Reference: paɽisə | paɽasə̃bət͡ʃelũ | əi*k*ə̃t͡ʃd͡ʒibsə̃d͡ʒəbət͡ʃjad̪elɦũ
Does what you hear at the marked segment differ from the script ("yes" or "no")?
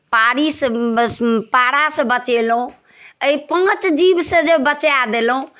yes